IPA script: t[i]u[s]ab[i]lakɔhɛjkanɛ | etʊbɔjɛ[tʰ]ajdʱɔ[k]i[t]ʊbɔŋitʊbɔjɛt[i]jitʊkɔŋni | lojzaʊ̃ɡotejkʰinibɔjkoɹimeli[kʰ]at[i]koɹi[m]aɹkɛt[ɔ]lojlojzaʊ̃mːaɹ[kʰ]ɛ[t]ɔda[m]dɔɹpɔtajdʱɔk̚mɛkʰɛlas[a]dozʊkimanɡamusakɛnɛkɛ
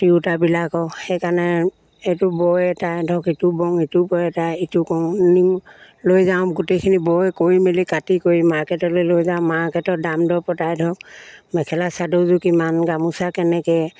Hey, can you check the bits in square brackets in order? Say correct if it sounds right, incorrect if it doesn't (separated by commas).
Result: correct, incorrect, correct, incorrect, correct, correct, incorrect, incorrect, correct, correct, correct, incorrect, correct, correct, correct